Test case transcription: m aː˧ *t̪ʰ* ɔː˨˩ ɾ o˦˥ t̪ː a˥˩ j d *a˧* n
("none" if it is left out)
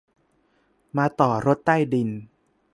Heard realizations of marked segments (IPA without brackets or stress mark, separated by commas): t̪, i˧